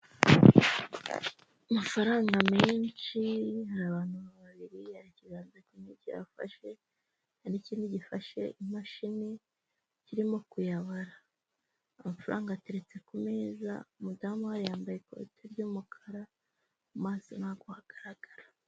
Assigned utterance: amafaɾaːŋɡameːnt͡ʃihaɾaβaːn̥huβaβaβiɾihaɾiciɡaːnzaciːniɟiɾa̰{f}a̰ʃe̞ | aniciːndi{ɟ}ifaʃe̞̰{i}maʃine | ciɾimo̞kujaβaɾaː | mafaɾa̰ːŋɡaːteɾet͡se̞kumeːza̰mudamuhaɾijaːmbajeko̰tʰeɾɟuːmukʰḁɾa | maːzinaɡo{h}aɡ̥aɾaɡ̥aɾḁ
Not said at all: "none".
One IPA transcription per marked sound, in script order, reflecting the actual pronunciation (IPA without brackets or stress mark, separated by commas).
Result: f, ɟ, i, h